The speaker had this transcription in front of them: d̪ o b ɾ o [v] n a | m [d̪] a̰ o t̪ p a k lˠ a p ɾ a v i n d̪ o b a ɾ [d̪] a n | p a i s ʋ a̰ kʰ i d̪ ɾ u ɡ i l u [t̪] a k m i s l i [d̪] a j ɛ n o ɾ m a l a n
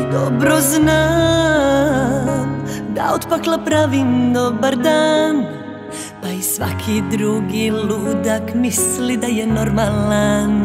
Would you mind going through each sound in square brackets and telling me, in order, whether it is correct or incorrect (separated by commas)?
incorrect, correct, correct, incorrect, correct